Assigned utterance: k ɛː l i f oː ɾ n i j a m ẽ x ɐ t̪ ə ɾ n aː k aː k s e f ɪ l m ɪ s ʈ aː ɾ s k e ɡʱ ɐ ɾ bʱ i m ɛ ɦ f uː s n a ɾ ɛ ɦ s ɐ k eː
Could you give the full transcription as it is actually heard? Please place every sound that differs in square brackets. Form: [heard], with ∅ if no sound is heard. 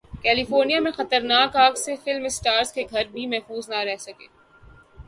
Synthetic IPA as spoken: k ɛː l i f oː ɾ n i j a m ẽ x ɐ t̪ ə ɾ n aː k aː k s e f ɪ l m ɪ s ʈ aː ɾ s k e ɡʱ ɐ ɾ bʱ i m ɛ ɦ f uː [z] n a ɾ ɛ ɦ s ɐ k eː